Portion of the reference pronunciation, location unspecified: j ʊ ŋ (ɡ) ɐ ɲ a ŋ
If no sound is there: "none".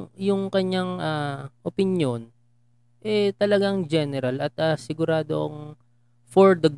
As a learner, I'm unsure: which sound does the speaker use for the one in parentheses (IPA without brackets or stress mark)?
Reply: k